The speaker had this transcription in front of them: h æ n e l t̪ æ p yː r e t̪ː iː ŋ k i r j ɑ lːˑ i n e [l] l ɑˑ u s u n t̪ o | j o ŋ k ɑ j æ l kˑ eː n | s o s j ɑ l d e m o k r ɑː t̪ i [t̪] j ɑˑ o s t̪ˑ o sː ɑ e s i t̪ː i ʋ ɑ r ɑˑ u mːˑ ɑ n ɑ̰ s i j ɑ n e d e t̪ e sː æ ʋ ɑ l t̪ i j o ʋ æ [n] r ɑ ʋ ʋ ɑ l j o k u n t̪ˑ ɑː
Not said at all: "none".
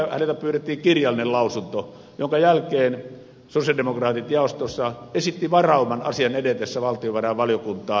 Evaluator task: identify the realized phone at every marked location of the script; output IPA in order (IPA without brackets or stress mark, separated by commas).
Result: l, t̪, none